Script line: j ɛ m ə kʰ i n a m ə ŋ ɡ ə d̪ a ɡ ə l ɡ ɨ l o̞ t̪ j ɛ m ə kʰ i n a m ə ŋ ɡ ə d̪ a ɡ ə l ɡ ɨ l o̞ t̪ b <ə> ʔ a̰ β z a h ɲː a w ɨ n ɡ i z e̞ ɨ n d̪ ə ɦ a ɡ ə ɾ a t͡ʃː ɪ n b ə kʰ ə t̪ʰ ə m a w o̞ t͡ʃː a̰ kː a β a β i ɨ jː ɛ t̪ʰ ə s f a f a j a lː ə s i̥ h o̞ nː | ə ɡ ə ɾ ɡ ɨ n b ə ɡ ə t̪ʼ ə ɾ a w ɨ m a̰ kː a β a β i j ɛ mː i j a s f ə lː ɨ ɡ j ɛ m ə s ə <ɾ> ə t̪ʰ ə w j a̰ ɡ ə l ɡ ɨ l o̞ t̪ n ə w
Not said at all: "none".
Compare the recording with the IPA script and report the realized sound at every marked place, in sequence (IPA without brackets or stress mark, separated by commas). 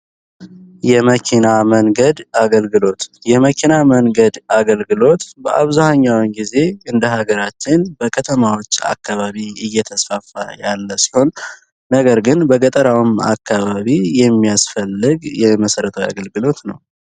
ə, ɾ